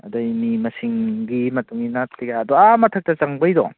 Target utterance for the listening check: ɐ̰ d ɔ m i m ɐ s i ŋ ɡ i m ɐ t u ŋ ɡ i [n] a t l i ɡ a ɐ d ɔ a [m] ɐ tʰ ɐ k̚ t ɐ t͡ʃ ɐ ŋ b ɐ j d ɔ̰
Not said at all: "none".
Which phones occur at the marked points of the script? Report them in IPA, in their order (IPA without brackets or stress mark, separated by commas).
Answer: n, m